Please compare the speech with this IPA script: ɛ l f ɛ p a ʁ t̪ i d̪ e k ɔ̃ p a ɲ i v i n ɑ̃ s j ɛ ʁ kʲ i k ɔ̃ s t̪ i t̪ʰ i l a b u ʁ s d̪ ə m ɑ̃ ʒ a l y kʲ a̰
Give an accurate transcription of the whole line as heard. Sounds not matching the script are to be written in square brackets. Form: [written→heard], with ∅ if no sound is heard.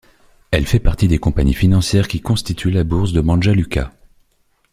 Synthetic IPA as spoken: ɛ l f ɛ p a ʁ t̪ i d̪ e k ɔ̃ p a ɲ i [v→f] i n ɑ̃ s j ɛ ʁ kʲ i k ɔ̃ s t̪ i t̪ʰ [i→y] l a b u ʁ s d̪ ə m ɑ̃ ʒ a l y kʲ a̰